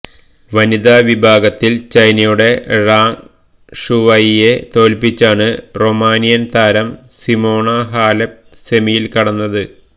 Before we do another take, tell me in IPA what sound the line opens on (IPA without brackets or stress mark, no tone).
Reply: ʋ